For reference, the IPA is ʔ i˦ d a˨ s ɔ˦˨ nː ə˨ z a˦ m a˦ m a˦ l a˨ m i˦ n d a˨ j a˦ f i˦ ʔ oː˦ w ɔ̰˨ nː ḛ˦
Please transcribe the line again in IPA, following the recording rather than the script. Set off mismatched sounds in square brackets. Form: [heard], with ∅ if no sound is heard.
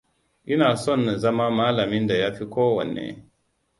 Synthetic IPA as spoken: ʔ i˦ [n] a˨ s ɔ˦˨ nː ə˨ z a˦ m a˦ m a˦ l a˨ m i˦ n d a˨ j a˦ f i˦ [k] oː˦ w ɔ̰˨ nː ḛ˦

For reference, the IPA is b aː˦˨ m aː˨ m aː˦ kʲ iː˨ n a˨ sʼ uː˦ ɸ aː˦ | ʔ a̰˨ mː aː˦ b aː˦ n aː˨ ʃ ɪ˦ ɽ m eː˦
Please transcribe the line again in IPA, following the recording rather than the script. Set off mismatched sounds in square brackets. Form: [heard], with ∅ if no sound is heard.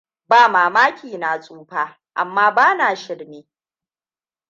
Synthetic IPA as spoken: b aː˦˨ m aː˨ m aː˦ kʲ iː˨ n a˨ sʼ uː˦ ɸ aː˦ | ʔ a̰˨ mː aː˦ b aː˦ n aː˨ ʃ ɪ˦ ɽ [n] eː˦

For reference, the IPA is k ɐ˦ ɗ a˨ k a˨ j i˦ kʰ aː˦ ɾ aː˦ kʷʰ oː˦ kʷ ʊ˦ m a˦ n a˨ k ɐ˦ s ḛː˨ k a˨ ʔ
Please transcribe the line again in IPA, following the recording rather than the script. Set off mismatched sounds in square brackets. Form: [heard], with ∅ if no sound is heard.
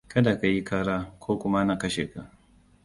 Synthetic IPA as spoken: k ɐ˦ [d] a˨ k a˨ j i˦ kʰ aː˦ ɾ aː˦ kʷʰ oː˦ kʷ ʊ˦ m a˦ n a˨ k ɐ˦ [ʃ] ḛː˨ k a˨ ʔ

